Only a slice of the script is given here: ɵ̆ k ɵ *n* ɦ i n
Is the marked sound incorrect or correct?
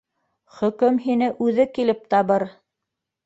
incorrect